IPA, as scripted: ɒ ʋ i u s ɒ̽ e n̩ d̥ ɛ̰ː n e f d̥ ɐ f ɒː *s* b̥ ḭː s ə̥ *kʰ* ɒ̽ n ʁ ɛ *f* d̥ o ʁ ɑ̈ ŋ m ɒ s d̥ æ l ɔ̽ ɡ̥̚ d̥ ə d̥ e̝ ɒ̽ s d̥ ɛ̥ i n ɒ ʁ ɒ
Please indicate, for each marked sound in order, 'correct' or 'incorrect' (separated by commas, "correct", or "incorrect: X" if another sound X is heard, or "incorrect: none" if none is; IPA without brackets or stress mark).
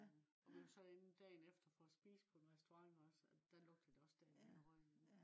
correct, incorrect: pʰ, incorrect: s